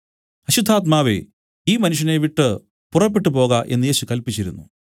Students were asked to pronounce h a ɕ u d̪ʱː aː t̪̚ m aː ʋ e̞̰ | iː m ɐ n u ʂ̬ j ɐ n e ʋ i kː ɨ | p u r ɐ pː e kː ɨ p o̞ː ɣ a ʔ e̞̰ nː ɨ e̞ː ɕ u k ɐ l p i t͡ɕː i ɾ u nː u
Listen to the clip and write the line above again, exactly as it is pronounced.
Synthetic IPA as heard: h ɐ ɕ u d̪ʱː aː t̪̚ m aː ʋ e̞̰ | iː m ɐ n u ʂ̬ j ɐ n e ʋ i ʈː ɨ | p u r ɐ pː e ʈː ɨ p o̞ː ɣ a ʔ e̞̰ nː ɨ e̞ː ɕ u k ɐ l p i t͡ɕː i ɾ u nː u